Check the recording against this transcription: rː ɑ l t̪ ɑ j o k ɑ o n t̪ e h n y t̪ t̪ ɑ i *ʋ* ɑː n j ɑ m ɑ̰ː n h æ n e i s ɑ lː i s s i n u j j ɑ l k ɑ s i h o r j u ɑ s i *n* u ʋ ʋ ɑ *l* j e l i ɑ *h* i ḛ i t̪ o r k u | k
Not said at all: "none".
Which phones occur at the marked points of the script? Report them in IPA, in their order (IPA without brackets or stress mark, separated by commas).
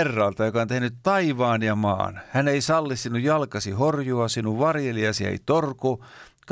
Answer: ʋ, n, r, s